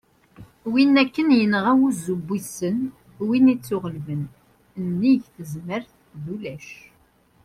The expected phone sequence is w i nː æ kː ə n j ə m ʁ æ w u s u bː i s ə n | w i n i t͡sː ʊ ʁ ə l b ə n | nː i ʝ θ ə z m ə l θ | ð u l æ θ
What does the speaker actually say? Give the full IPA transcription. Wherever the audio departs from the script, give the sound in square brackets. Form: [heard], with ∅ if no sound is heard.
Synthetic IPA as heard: w i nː æ kː ə n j ə [n] ʁ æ w u [z] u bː i s ə n | w i n i t͡sː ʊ ʁ ə l [v] ə n | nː i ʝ θ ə z m ə [ɾ] θ | ð u l æ [ʃ]